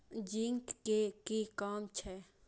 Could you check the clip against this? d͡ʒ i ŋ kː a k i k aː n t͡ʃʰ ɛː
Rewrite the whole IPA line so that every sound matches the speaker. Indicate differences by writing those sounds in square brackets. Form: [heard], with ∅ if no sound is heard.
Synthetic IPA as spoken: d͡ʒ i ŋ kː [e] k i k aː [m] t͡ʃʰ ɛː